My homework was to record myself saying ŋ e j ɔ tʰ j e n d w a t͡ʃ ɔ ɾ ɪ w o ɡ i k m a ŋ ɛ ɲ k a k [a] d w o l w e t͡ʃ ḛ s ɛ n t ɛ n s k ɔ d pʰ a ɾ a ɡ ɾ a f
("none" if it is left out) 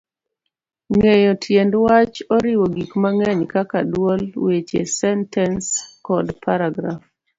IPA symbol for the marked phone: a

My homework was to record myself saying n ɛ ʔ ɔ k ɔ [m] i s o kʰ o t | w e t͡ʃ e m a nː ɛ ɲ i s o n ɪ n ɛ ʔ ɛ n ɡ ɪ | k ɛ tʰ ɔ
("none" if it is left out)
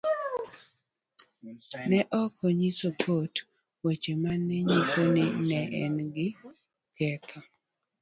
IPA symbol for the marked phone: ɲ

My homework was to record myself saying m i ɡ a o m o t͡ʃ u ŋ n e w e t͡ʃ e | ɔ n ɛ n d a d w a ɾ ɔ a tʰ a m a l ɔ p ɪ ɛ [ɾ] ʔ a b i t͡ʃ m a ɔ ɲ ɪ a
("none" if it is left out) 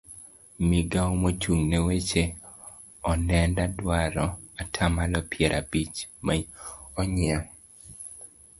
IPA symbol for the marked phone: ɾ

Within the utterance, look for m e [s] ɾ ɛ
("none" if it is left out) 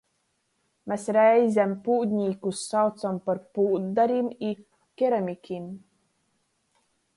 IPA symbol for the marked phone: s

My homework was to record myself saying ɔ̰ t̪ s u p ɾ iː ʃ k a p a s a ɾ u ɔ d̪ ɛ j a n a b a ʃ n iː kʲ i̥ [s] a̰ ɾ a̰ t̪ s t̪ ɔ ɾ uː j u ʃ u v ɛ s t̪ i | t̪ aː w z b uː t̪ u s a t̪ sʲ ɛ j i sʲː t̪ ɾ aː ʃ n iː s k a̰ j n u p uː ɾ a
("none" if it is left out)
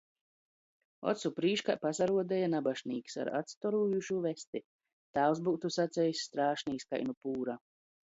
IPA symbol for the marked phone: s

